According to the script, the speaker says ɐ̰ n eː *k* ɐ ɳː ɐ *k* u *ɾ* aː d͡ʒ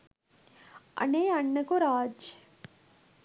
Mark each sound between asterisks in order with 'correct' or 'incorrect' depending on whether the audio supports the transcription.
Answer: incorrect, correct, correct

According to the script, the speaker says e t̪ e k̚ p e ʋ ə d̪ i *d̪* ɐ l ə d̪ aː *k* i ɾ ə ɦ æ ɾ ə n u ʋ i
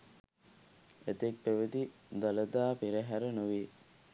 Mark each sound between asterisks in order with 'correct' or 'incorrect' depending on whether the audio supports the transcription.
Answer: correct, incorrect

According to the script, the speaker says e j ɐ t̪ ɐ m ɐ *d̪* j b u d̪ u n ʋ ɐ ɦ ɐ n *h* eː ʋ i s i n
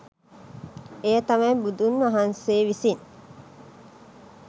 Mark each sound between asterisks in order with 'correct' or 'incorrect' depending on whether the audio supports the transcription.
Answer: incorrect, incorrect

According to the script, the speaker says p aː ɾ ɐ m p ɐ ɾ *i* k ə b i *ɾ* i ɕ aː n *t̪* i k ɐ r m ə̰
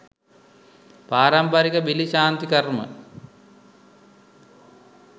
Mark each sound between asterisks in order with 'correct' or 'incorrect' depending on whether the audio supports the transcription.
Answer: correct, incorrect, correct

